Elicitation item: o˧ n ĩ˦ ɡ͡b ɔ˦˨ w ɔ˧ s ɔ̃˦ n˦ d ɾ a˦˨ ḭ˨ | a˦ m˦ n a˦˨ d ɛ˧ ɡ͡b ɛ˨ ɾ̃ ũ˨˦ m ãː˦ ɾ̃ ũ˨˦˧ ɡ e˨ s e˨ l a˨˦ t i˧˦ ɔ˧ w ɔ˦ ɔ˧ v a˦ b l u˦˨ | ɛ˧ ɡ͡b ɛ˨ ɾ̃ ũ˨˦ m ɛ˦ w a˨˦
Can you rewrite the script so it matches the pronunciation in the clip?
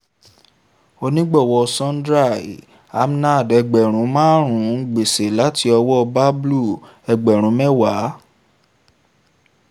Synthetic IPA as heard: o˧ n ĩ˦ ɡ͡b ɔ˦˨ w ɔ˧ s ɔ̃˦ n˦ d ɾ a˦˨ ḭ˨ | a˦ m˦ n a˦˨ d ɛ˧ ɡ͡b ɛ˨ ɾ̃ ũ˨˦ m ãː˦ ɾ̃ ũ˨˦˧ ɡ͡b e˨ s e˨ l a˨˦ t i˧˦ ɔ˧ w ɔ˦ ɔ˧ b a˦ b l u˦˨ | ɛ˧ ɡ͡b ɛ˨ ɾ̃ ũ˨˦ m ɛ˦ w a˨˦